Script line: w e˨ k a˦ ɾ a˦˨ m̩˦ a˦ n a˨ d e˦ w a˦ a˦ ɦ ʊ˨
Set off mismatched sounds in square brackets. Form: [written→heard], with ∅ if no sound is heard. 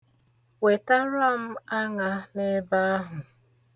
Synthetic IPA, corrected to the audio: w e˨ [k→t] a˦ ɾ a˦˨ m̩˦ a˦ [n→ŋ] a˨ [d→n] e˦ [w→b] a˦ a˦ ɦ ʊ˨